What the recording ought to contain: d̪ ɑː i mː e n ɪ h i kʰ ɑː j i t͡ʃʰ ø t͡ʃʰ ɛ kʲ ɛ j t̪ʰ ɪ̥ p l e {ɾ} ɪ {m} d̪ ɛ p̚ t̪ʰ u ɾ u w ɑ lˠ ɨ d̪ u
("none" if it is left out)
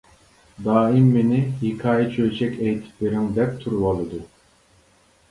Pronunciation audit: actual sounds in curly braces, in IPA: ɾ, ŋ

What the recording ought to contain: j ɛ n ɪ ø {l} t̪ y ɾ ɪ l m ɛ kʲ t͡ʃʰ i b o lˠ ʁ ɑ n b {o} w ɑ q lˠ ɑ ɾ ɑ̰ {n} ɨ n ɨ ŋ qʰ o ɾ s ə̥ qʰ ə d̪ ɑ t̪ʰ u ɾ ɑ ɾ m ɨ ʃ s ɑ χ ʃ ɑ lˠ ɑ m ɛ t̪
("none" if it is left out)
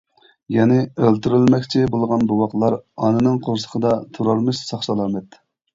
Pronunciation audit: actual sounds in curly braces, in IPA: l, u, n

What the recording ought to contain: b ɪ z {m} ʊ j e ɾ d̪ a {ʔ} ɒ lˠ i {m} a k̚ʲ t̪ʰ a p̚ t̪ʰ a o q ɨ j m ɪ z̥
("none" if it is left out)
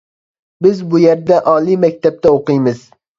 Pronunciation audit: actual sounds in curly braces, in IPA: b, ʔ, m

